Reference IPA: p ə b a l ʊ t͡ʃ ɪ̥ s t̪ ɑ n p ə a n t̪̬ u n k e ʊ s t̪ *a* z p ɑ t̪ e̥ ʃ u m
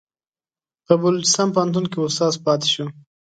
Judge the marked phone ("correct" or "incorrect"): incorrect